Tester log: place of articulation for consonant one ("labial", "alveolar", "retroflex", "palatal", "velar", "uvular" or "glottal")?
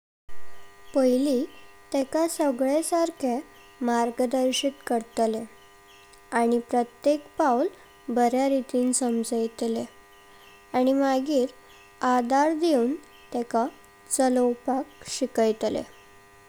labial